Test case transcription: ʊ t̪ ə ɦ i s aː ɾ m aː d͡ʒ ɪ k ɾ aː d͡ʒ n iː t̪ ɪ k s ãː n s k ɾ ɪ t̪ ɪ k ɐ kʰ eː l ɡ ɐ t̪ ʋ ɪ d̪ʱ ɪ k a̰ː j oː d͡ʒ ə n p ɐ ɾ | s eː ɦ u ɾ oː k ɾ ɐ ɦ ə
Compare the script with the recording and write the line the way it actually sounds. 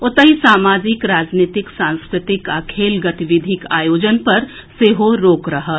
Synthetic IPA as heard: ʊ t̪ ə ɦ i s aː m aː d͡ʒ ɪ k ɾ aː d͡ʒ n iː t̪ ɪ k s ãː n s k ɾ ɪ t̪ ɪ k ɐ kʰ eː l ɡ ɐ t̪ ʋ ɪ d̪ʱ ɪ k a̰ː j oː d͡ʒ ə n p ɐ ɾ | s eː ɦ o ɾ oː k ɾ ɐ ɦ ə